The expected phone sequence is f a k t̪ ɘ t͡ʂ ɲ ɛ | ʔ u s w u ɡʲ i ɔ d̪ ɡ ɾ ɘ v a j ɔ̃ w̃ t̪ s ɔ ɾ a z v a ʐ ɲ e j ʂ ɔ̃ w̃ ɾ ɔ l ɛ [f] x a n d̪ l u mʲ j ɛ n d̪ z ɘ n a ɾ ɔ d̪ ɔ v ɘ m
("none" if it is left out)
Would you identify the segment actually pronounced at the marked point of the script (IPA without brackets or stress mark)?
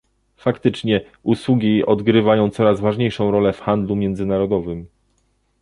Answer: f